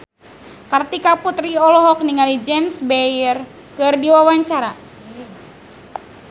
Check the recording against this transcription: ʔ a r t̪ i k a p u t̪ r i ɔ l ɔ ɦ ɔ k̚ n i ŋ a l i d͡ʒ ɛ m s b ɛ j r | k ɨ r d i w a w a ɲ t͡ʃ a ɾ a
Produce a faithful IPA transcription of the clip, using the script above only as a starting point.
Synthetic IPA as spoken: k a r t̪ i k a p u t̪ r i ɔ l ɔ ɦ ɔ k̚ n i ŋ a l i d͡ʒ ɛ m s b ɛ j r | k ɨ r d i w a w a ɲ t͡ʃ a ɾ a